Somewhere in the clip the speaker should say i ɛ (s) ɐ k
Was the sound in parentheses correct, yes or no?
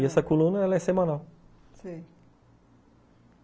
yes